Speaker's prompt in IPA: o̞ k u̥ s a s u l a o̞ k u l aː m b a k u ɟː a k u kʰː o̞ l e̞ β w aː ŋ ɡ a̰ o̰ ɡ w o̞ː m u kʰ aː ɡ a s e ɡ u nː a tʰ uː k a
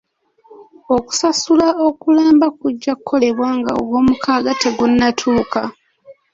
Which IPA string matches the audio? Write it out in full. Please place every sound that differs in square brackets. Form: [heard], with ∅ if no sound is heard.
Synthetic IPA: o̞ k u̥ s a s u l a o̞ k u l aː m b a k u ɟː a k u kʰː o̞ l e̞ β w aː ŋ ɡ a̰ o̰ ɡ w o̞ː m u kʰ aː ɡ a [t] e ɡ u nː a tʰ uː k a